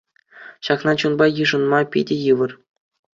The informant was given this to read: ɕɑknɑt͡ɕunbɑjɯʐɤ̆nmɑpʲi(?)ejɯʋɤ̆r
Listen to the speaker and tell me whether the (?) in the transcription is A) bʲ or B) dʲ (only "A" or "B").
B